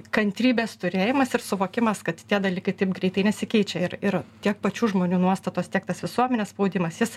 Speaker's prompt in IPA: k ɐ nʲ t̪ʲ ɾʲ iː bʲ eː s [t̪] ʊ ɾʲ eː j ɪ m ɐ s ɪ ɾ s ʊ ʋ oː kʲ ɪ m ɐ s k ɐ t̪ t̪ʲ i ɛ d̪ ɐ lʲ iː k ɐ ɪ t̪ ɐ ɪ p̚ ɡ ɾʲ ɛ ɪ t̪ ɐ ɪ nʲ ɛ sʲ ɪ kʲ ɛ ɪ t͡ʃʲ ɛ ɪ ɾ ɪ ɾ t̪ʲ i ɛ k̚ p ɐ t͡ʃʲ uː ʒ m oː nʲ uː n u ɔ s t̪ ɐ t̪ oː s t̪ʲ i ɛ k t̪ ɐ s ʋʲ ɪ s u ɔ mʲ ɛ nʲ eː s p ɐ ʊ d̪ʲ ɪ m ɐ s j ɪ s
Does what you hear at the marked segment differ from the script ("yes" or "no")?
no